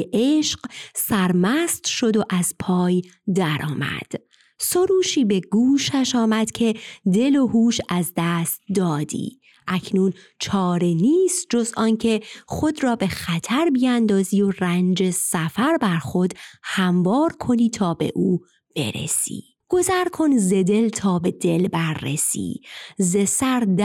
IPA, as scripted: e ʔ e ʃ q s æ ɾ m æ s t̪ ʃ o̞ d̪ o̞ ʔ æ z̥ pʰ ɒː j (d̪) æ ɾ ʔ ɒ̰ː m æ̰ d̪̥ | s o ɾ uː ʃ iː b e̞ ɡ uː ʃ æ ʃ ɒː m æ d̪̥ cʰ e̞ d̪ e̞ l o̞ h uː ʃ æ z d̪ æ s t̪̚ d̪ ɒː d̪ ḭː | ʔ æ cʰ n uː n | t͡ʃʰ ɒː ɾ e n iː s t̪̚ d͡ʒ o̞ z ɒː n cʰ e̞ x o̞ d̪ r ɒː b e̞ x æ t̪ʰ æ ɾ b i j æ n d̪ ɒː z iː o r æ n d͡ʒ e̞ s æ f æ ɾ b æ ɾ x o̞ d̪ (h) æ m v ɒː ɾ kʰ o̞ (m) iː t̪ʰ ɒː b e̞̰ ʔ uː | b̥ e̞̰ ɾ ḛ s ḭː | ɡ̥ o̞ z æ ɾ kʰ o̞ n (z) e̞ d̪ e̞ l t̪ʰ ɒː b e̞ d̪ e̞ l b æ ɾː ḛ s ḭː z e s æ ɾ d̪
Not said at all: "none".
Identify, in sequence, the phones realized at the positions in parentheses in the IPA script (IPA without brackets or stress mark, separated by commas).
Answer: d̪, h, n, z